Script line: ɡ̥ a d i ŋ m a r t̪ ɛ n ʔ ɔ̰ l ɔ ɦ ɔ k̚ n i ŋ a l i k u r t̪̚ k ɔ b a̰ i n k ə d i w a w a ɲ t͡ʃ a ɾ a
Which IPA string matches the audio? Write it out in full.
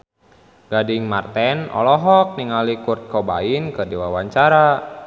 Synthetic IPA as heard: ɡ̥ a d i ŋ m a r t̪ ɛ n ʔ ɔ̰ l ɔ ɦ ɔ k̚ n i ŋ a l i k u r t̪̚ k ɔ b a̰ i n k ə d i w a w a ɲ t͡ʃ a ɾ a